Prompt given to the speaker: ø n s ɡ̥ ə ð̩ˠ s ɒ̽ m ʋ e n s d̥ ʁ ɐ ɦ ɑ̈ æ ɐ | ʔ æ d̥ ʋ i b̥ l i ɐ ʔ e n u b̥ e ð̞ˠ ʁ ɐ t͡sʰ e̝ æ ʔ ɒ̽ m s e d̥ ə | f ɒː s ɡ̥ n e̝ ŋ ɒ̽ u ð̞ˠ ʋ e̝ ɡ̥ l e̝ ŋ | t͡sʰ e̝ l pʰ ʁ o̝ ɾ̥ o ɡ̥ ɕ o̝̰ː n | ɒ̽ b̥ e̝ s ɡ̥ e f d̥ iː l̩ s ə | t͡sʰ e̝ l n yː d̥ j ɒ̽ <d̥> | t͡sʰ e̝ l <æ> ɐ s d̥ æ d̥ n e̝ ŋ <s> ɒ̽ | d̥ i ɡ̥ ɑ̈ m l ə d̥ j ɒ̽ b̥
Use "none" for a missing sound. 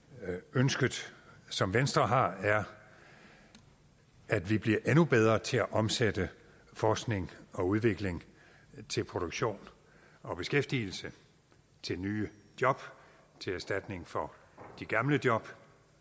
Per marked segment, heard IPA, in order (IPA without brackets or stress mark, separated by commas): b̥, æ, f